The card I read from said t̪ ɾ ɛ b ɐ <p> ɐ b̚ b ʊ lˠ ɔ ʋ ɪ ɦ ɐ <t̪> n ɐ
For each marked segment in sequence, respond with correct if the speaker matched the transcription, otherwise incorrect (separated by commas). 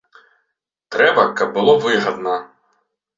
incorrect, incorrect